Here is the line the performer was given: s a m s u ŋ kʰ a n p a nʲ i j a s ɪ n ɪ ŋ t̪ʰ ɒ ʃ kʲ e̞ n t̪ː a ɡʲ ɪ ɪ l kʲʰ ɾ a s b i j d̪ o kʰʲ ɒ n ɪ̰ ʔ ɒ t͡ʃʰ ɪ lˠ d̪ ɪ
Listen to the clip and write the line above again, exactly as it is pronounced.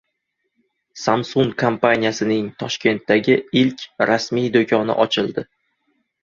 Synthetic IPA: s a m s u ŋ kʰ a m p a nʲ i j a s ɪ n ɪ ŋ t̪ʰ ɒ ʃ kʲ e̞ n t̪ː a ɡʲ ɪ ɪ l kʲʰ ɾ a s m i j d̪ o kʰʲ ɒ n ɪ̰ ʔ ɒ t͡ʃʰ ɪ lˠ d̪ ɪ